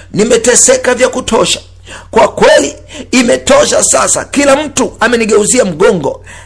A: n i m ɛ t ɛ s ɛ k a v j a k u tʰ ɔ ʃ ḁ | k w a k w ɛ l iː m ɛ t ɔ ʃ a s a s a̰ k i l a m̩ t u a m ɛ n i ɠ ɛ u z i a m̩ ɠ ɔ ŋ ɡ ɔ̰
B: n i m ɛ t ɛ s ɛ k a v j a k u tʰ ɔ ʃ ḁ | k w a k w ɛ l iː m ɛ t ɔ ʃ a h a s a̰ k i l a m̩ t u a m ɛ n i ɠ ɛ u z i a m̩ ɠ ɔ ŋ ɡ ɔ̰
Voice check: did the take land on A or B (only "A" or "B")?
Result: A